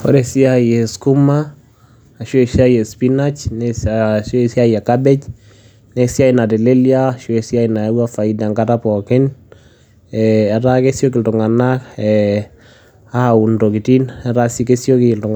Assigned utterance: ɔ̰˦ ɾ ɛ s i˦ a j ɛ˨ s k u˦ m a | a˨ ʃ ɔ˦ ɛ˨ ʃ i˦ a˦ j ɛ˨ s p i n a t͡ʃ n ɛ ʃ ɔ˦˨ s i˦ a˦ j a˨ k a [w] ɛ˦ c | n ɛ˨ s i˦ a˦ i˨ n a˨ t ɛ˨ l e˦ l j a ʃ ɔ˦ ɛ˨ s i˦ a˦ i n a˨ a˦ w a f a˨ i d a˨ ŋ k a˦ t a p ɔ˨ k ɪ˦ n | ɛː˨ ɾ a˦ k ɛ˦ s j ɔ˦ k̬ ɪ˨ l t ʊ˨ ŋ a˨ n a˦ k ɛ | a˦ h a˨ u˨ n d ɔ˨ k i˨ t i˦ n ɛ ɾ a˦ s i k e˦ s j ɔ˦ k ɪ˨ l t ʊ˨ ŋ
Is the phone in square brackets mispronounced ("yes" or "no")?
yes